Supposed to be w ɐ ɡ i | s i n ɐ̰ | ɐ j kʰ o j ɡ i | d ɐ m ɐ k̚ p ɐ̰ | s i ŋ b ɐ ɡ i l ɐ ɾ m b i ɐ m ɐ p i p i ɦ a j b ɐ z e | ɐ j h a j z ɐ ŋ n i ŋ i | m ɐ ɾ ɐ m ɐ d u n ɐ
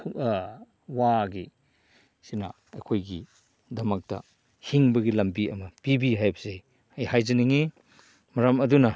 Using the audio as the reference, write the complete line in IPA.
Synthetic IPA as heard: w a ɡ i | s i n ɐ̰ | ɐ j kʰ o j ɡ i | d ɐ m ɐ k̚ t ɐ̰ | h i ŋ b ɐ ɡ i l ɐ m b i ɐ m ɐ p i b i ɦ a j b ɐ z e | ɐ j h a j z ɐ n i ŋ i | m ɐ ɾ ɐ m ɐ d u n ɐ